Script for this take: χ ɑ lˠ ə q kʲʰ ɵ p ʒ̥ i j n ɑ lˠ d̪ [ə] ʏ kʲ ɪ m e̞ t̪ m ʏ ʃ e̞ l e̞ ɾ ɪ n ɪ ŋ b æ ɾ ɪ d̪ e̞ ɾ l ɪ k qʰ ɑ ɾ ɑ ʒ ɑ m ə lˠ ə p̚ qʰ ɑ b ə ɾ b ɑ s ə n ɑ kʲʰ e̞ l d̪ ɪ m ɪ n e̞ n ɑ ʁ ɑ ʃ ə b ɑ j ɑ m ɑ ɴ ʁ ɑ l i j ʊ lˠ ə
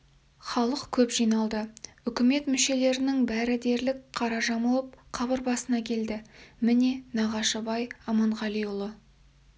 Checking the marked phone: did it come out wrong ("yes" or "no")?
no